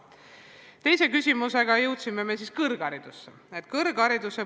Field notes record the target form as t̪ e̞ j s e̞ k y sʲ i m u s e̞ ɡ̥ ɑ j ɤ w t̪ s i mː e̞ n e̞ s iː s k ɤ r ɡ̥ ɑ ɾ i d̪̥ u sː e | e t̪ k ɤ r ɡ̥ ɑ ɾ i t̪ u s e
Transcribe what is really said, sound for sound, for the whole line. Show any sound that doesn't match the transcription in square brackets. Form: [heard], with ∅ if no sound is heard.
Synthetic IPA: t̪ e̞ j s e̞ k y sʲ i m u s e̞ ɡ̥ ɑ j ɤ w t̪ s i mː e̞ [m] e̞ s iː s k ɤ r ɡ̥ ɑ ɾ i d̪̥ u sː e | e t̪ k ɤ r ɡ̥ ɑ ɾ i [d̪] u s e